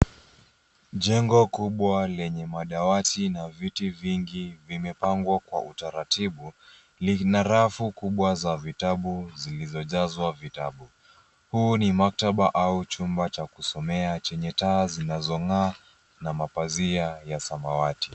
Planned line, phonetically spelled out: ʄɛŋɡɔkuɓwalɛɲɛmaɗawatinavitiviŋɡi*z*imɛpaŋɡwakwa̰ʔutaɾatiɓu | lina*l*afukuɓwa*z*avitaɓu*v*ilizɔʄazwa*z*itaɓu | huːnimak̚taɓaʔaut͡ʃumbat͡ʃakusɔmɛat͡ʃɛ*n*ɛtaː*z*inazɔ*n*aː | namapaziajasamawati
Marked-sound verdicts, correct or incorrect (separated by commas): incorrect, incorrect, correct, incorrect, incorrect, incorrect, correct, incorrect